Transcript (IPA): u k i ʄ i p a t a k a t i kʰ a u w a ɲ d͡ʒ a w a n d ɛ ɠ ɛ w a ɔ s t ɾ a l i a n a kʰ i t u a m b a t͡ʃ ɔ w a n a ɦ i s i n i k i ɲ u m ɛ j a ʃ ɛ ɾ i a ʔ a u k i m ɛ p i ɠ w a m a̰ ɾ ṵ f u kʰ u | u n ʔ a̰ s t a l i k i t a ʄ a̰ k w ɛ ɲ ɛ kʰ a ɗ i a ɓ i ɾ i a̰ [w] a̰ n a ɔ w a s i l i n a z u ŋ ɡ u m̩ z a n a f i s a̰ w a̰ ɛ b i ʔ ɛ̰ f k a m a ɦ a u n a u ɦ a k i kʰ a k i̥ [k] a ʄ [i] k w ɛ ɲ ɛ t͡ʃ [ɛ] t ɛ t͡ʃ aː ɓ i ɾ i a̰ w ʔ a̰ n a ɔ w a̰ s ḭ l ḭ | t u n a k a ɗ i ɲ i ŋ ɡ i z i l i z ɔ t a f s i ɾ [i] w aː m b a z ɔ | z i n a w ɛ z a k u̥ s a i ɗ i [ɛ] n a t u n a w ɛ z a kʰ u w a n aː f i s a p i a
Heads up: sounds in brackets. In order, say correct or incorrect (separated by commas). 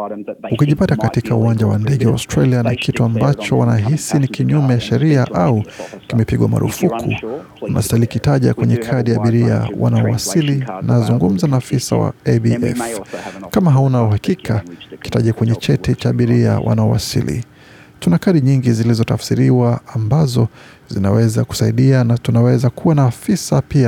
correct, incorrect, incorrect, correct, correct, incorrect